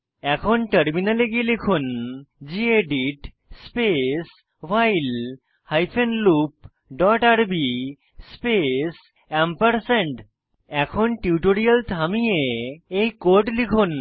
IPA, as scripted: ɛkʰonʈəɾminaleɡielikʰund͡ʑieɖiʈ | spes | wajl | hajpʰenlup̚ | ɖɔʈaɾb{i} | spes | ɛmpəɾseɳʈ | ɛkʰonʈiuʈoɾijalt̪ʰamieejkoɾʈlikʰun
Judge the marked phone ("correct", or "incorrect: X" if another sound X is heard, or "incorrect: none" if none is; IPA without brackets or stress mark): correct